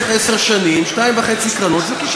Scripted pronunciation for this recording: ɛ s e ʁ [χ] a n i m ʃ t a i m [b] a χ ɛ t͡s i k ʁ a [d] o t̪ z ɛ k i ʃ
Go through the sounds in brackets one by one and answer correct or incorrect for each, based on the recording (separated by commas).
incorrect, incorrect, incorrect